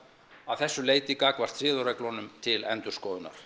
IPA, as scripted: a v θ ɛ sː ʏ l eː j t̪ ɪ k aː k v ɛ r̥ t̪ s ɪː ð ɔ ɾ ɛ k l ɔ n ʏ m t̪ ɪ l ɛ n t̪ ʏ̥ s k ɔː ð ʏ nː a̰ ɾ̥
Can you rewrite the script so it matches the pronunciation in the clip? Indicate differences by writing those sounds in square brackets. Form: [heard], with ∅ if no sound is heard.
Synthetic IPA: a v θ ɛ sː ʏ l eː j t̪ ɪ k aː k v [a] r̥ t̪ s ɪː ð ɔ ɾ ɛ k l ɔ n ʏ m [t̪ʰ] ɪ l ɛ n t̪ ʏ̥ s k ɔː ð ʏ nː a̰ ɾ̥